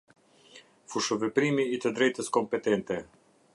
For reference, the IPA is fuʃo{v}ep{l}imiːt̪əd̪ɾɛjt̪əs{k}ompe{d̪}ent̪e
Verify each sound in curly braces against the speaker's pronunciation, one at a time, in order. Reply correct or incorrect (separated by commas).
correct, incorrect, correct, incorrect